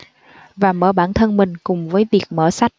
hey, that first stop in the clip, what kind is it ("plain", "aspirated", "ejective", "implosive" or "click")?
implosive